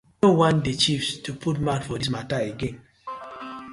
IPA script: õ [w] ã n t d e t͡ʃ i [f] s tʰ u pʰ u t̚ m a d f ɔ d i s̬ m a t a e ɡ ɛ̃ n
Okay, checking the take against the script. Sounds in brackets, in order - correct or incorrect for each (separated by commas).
correct, correct